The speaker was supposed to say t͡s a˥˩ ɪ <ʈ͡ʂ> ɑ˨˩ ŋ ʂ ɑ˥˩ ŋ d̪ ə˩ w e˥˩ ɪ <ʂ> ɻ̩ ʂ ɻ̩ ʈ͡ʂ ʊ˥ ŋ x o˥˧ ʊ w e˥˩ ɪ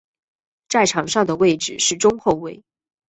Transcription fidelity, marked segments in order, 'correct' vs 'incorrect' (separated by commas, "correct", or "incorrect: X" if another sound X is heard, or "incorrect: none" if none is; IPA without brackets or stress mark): incorrect: ʈ͡ʂʰ, incorrect: ʈ͡ʂ